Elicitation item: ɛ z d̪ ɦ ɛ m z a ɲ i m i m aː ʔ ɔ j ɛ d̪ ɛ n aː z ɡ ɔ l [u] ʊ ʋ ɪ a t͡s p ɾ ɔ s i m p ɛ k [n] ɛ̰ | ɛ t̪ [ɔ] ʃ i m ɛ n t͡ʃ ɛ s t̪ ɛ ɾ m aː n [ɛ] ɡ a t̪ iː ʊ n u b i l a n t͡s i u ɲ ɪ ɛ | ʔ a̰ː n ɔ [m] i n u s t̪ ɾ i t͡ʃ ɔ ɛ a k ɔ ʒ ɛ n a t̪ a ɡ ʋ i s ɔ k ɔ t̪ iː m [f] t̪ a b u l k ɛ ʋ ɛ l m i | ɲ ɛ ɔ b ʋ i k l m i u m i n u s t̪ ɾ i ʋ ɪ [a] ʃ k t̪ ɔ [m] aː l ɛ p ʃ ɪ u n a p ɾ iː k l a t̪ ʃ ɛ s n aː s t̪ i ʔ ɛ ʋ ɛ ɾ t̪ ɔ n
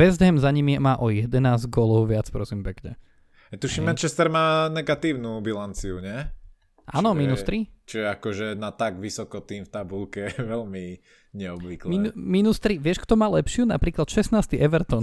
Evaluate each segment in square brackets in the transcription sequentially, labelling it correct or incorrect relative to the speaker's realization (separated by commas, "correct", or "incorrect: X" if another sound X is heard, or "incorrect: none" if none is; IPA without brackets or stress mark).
incorrect: ɔ, incorrect: ɲ, incorrect: u, correct, correct, correct, incorrect: ɛ, correct